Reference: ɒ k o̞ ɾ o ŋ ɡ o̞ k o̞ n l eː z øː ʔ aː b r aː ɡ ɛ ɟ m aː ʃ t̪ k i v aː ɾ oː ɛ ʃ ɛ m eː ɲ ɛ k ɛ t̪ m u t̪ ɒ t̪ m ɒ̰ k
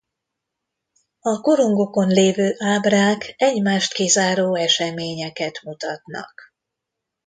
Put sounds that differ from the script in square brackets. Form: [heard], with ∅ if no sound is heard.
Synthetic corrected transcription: ɒ k o̞ ɾ o ŋ ɡ o̞ k o̞ n l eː [v] øː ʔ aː b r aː [k] ɛ ɟ m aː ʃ t̪ k i [z] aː ɾ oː ɛ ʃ ɛ m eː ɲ ɛ k ɛ t̪ m u t̪ ɒ t̪ [n] ɒ̰ k